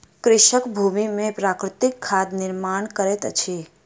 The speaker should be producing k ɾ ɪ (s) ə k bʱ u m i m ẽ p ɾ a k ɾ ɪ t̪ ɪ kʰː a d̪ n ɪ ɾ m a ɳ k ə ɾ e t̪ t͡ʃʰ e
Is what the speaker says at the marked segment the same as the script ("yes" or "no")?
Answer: no